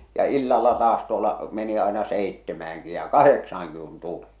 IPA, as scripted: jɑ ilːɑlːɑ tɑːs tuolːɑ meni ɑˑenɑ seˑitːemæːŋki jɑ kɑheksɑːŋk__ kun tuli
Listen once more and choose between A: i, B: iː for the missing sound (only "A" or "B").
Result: A